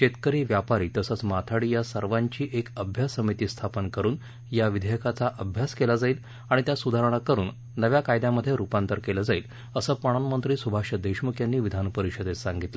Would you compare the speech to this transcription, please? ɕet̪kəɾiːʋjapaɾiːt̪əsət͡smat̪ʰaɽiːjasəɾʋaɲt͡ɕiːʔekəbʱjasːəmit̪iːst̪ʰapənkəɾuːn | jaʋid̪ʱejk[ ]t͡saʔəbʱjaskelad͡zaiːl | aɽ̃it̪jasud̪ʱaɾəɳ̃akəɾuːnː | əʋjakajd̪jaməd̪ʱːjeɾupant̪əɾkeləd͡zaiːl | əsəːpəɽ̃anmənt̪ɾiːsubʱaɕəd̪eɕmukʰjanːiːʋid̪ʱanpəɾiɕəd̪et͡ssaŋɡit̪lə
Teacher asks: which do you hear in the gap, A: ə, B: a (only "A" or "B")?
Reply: B